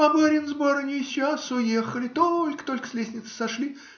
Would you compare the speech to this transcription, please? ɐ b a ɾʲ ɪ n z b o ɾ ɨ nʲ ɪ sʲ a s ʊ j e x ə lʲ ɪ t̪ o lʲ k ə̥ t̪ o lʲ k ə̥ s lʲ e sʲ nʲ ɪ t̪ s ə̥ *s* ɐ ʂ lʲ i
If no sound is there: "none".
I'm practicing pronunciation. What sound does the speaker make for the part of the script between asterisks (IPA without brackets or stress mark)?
s